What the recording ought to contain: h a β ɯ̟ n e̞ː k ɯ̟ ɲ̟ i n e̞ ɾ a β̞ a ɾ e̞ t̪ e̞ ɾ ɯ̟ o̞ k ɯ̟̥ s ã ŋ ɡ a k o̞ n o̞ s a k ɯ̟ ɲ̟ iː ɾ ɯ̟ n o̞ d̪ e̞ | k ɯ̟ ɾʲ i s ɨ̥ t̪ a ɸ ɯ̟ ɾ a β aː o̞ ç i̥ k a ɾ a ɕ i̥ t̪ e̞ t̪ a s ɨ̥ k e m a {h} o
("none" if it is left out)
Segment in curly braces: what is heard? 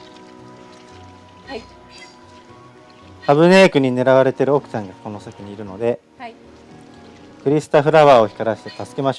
ɕ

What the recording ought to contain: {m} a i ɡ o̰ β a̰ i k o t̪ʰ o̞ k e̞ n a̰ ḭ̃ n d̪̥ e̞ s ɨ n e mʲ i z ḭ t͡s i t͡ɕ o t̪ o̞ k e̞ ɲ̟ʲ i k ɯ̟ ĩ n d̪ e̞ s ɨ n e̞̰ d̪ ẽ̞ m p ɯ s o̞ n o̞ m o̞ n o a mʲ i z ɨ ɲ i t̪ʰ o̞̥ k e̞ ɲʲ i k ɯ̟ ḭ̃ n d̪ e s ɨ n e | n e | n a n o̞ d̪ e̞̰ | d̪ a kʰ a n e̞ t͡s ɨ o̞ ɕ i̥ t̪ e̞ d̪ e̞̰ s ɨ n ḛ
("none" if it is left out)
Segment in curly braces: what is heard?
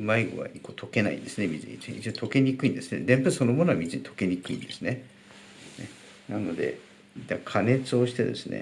m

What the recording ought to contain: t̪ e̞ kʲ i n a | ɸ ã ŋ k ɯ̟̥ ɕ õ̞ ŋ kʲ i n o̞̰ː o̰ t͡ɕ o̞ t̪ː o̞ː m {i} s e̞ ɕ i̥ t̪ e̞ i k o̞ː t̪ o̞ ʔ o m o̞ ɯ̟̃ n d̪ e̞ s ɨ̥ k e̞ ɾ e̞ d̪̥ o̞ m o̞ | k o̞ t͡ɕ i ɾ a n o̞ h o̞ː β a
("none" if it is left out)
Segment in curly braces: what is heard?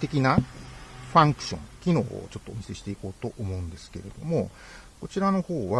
i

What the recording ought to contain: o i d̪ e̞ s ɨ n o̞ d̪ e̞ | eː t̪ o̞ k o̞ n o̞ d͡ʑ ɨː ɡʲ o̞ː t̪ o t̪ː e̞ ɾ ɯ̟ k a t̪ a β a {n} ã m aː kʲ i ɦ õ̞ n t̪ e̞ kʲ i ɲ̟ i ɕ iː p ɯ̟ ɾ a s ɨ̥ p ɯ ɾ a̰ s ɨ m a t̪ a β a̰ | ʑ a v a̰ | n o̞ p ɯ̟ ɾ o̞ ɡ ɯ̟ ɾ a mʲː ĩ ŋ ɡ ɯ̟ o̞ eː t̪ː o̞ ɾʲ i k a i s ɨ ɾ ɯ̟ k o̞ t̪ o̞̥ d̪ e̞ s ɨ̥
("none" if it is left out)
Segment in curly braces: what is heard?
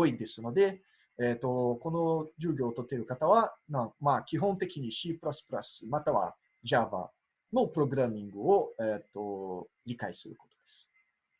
n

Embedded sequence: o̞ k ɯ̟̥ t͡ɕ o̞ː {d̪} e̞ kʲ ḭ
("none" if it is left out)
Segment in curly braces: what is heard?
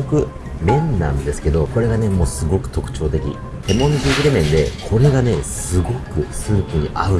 t̪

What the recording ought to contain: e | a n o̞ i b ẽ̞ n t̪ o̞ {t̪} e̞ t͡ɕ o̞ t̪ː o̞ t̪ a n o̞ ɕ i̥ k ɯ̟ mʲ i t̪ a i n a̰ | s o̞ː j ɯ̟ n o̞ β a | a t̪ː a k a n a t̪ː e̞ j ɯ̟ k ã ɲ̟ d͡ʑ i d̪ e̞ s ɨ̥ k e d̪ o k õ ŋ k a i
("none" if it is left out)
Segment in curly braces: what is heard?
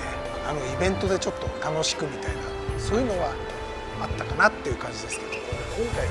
d̪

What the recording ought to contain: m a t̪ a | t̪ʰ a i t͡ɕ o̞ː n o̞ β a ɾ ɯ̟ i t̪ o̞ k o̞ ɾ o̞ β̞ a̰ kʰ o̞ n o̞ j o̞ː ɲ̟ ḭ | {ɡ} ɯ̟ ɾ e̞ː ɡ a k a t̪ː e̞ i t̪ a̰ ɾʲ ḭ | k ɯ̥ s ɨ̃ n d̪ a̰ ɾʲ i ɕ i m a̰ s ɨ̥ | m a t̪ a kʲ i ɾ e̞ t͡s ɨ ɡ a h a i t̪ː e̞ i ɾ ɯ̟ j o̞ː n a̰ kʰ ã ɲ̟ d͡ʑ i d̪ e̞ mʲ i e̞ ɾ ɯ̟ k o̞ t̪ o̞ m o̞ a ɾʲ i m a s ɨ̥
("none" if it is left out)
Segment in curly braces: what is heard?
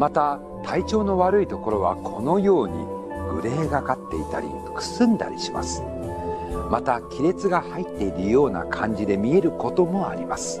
ɡ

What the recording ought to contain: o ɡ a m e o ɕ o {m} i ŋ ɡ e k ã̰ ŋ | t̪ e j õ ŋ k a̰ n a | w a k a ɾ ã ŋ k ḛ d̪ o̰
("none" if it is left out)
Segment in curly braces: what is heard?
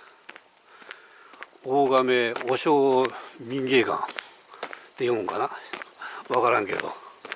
m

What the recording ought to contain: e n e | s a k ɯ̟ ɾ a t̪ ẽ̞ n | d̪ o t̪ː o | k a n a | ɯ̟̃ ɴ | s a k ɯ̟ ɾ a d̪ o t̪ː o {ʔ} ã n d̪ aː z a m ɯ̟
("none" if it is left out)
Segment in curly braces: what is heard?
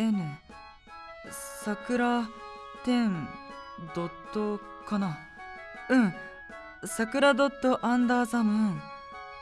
ʔ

